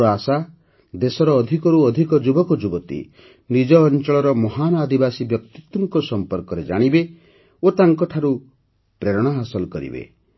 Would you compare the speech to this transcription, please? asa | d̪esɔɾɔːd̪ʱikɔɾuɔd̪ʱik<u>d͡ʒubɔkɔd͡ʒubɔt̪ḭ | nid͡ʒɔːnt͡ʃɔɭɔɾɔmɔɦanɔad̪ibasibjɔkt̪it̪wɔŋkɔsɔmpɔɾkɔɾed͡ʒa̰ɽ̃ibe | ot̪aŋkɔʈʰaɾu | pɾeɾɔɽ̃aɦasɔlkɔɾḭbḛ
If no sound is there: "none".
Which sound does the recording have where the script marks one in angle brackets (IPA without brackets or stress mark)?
ɔ